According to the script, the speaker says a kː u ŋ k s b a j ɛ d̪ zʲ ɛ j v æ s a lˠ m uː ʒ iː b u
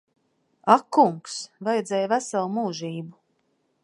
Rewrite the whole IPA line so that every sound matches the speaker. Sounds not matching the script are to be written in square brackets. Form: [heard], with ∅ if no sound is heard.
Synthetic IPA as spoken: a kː u ŋ k s [v] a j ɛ d̪ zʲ ɛ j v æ s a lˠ m uː ʒ iː b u